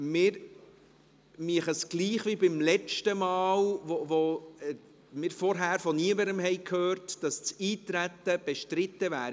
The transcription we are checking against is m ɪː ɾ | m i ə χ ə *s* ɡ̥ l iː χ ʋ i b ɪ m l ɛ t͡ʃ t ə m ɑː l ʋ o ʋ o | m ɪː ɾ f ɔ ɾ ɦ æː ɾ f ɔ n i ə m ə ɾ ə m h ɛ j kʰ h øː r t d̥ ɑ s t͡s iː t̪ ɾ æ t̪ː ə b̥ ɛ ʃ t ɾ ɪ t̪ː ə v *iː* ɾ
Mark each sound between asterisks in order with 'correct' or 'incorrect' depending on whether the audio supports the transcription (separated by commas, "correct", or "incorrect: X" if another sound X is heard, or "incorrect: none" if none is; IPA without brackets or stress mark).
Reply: correct, incorrect: æː